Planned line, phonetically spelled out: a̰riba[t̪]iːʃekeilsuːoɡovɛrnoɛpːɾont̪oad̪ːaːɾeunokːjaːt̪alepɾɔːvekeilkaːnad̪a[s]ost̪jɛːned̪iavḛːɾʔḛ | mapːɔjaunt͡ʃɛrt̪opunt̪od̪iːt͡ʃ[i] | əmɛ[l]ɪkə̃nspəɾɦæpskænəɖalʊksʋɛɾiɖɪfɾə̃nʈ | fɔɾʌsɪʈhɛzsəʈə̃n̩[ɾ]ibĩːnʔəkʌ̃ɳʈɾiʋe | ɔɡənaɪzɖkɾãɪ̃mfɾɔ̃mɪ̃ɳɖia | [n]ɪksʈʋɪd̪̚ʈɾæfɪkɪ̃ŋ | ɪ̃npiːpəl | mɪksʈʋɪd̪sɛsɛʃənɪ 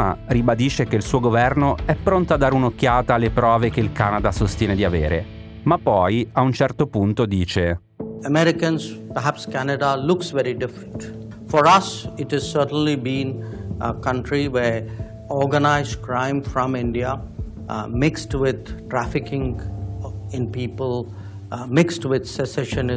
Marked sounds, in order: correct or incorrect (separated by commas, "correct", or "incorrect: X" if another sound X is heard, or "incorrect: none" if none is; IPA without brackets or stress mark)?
incorrect: d̪, correct, incorrect: e, incorrect: ɾ, incorrect: l, incorrect: m